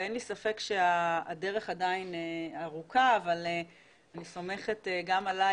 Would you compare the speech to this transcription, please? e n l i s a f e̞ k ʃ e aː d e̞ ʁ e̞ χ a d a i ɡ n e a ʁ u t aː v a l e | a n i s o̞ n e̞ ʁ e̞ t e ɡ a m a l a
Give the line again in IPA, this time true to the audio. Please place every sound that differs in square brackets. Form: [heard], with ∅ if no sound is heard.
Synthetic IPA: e n l i s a f e̞ k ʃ e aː d e̞ ʁ e̞ χ a d a i [∅] n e a ʁ u [k] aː v a l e | a n i s o̞ [m] e̞ [χ] e̞ t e ɡ a m a l a